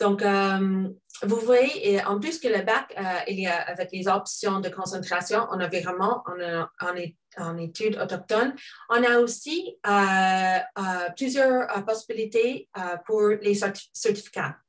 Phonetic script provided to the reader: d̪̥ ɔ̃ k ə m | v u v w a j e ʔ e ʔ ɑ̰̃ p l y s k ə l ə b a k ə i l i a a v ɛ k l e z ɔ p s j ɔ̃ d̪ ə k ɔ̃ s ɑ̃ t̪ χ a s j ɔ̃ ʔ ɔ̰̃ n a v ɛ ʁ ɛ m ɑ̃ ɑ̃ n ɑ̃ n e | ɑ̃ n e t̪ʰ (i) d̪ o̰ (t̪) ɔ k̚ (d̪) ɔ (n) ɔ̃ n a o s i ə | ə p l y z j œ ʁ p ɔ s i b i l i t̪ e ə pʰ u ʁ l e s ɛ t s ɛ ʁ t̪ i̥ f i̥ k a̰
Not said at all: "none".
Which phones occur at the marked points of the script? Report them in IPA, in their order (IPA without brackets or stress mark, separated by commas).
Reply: y, t̪, t̪, n